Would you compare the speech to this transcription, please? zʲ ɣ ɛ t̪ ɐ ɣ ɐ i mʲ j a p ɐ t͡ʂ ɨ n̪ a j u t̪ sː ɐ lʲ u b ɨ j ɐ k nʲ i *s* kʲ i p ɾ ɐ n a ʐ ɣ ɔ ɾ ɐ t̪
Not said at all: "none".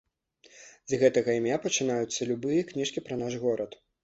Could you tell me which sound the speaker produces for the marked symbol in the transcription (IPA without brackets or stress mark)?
ʂ